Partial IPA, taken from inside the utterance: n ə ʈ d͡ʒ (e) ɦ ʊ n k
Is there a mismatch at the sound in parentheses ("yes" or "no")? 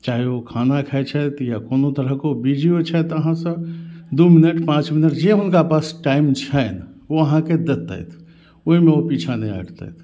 no